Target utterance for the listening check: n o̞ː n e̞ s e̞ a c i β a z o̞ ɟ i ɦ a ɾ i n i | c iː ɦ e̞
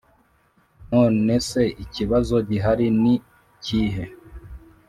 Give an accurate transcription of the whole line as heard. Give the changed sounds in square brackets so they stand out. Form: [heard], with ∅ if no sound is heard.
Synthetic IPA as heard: n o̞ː n e̞ s e̞ [i] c i β a z o̞ ɟ i ɦ a ɾ i n i | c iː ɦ e̞